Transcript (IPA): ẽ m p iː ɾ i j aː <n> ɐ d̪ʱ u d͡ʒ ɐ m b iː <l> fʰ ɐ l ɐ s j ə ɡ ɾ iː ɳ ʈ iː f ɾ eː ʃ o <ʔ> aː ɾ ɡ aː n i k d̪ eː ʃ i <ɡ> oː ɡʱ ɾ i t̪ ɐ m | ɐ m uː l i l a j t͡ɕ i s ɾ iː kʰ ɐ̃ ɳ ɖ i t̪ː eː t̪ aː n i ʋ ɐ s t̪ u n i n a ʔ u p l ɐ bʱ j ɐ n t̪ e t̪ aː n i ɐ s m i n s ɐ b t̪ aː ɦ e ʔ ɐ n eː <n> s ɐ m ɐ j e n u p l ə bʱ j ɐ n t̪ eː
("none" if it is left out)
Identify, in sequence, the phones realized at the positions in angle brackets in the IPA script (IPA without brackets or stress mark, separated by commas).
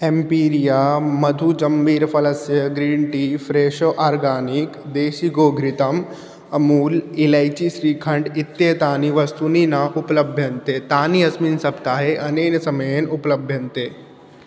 m, ɾ, ʔ, ɡ, n